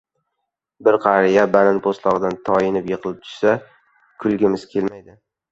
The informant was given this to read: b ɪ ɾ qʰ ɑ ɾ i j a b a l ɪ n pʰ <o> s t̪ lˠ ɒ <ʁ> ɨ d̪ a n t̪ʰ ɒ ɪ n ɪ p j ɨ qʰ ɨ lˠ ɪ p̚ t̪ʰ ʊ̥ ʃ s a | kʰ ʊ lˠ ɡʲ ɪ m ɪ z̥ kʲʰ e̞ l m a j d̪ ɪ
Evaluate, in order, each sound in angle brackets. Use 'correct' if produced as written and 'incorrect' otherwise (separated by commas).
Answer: correct, correct